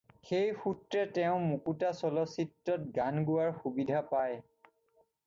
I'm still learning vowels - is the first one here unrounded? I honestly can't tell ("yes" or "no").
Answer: yes